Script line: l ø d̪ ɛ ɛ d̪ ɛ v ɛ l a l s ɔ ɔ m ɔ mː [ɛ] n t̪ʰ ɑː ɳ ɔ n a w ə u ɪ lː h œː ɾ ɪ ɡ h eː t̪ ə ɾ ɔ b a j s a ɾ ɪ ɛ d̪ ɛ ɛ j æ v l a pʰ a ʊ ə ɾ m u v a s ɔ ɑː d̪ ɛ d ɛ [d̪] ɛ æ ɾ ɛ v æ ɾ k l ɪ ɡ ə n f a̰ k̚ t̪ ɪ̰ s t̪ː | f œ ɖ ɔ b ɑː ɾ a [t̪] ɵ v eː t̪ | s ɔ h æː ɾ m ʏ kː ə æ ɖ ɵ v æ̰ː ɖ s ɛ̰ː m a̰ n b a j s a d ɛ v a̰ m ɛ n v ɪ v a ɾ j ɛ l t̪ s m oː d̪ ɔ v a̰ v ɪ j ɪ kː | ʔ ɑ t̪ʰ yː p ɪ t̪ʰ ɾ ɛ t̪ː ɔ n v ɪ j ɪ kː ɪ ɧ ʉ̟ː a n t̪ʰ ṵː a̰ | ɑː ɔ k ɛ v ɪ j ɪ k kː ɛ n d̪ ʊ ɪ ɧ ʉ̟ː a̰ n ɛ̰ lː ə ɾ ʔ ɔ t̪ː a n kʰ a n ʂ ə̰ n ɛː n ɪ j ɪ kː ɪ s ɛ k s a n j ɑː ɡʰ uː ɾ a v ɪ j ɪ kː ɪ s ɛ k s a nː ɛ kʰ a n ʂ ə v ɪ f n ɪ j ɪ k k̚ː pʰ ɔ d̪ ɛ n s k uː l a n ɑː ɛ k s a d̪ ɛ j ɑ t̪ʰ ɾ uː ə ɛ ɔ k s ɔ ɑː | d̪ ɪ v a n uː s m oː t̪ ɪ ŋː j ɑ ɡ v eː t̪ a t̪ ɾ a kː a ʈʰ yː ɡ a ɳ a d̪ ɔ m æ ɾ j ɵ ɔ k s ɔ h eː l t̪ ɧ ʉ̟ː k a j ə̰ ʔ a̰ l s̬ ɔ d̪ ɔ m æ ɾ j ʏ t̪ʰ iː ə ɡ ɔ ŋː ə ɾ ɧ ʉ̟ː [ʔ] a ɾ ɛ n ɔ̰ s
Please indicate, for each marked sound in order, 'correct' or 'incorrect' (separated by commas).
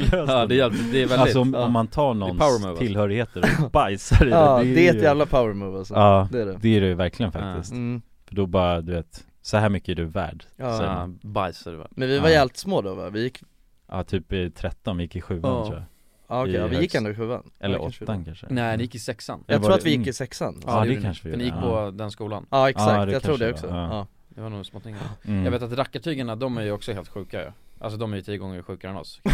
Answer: incorrect, correct, incorrect, incorrect